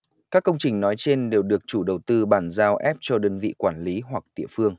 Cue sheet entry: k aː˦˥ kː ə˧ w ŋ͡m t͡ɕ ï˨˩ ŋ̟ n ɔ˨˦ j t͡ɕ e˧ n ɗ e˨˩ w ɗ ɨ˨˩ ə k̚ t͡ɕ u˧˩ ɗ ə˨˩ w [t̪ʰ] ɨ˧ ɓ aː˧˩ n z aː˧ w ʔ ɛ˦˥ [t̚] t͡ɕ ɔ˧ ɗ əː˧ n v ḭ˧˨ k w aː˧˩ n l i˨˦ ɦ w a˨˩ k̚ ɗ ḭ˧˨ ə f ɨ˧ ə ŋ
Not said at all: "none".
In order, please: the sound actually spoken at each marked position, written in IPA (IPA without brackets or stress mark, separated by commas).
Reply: t̪, p̚